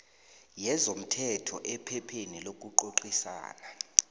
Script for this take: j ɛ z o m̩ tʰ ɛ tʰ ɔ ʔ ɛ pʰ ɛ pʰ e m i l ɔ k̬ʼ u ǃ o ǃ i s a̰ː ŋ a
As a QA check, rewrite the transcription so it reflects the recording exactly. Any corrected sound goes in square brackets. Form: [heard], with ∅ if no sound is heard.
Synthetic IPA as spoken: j ɛ z o m̩ tʰ ɛ tʰ ɔ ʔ ɛ pʰ ɛ pʰ e [n] i l [o] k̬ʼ u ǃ o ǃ i s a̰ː [n] a